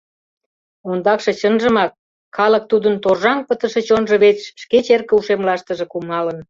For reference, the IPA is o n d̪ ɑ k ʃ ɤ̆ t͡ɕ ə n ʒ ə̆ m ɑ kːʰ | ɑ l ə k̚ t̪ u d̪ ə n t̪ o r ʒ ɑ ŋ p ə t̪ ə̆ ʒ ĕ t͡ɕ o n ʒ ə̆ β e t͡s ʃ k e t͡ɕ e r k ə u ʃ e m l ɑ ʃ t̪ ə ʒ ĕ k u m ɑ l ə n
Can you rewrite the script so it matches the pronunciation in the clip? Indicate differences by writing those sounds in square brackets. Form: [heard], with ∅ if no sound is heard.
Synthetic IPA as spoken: o n d̪ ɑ k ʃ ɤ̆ t͡ɕ ə n ʒ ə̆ m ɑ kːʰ | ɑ l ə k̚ t̪ u d̪ ə n t̪ o r ʒ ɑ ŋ p ə t̪ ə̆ [ʃ] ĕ t͡ɕ o n ʒ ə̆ β e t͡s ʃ k e t͡ɕ e r k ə u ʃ e m l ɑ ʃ t̪ ə ʒ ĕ k u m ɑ l ə n